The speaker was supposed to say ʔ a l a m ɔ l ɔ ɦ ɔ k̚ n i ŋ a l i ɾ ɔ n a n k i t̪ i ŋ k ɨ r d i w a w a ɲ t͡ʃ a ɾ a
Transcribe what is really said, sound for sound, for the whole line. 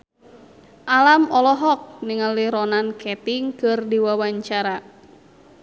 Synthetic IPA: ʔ a l a m ɔ l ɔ ɦ ɔ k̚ n i ŋ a l i ɾ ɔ n a n k ɛ t̪ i ŋ k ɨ r d i w a w a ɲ t͡ʃ a ɾ a

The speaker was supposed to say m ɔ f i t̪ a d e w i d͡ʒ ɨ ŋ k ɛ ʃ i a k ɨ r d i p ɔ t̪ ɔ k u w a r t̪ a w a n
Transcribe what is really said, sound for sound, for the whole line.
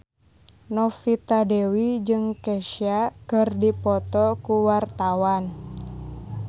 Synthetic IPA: n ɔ f i t̪ a d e w i d͡ʒ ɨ ŋ k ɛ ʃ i a k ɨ r d i p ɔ t̪ ɔ k u w a r t̪ a w a n

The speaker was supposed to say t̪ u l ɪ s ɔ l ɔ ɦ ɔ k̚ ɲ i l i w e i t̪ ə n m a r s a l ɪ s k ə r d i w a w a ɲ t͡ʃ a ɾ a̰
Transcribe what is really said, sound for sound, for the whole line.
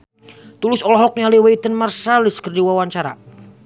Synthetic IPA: t̪ u l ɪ s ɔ l ɔ ɦ ɔ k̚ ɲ a l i w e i t̪ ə n m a r s a l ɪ s k ə r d i w a w a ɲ t͡ʃ a ɾ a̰

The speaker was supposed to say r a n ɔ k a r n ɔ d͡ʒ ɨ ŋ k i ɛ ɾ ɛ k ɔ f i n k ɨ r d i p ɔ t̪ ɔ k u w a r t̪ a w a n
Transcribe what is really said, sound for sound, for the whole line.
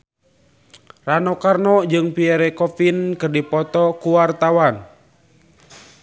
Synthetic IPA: r a n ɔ k a r n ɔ d͡ʒ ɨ ŋ p i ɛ ɾ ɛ k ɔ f i n k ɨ r d i p ɔ t̪ ɔ k u w a r t̪ a w a n

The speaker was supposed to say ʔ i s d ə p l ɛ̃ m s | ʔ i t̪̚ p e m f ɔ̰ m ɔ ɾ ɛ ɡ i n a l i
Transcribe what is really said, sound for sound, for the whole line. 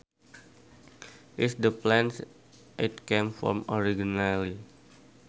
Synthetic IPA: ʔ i s d ə p l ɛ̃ n s | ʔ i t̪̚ k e m f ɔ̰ m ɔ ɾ i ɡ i n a l i

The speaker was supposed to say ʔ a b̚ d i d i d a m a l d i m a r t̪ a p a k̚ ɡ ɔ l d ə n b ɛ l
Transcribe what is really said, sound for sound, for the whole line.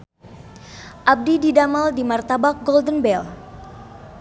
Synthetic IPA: ʔ a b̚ d i d i d a m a l d i m a r t̪ a b a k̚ ɡ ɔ l d ə n b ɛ l

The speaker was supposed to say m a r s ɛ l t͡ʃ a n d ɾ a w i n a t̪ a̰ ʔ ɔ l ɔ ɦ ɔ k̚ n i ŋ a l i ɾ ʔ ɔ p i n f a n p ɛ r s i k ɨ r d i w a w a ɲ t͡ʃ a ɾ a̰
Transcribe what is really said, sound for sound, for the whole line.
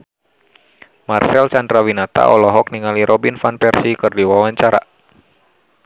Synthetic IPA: m a r s ɛ l t͡ʃ a n d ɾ a w i n a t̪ a̰ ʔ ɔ l ɔ ɦ ɔ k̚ n i ŋ a l i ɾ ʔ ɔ b i n f a n p ɛ r s i k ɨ r d i w a w a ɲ t͡ʃ a ɾ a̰

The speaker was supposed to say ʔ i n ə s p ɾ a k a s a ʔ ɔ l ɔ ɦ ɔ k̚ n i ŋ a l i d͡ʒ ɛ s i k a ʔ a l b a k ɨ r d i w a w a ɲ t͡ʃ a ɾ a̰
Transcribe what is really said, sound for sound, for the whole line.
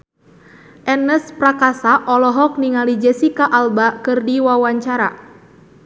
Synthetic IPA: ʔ ɛ n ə s p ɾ a k a s a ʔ ɔ l ɔ ɦ ɔ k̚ n i ŋ a l i d͡ʒ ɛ s i k a ʔ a l b a k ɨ r d i w a w a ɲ t͡ʃ a ɾ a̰

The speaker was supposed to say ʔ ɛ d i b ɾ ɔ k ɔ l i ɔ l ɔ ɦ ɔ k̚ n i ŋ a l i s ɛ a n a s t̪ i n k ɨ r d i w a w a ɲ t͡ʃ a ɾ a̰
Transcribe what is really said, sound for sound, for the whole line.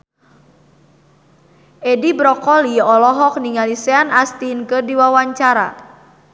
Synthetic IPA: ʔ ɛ d i b ɾ ɔ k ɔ l i ɔ l ɔ ɦ ɔ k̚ n i ŋ a l i s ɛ a n a s t̪ i n k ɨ r d i w a w a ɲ t͡ʃ a ɾ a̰

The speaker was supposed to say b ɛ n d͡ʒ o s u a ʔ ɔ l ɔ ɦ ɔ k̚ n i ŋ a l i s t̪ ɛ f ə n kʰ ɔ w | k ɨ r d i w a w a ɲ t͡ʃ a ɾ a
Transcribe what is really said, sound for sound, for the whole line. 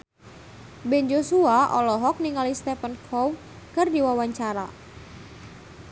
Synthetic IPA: b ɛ n d͡ʒ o s u a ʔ ɔ l ɔ ɦ ɔ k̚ n i ŋ a l i s t̪ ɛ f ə n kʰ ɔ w | k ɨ r d i w a w a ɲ t͡ʃ a ɾ a

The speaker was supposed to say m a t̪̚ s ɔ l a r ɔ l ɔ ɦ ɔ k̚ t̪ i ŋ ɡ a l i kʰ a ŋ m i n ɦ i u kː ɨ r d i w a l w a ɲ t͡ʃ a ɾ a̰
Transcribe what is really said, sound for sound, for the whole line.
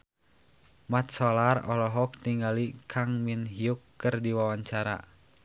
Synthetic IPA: m a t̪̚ s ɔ l a r ɔ l ɔ ɦ ɔ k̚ t̪ i ŋ ɡ a l i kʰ a ŋ m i n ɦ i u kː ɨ r d i w a w a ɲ t͡ʃ a ɾ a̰

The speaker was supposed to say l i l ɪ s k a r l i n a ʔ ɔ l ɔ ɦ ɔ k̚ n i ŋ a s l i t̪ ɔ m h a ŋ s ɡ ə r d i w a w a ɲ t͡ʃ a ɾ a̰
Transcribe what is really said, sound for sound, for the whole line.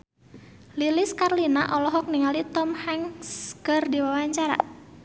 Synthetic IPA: l i l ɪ s k a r l i n a ʔ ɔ l ɔ ɦ ɔ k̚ n i ŋ a l i t̪ ɔ m h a ŋ s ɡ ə r d i w a w a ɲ t͡ʃ a ɾ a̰

